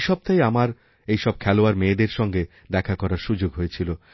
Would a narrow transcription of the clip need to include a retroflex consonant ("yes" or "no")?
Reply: no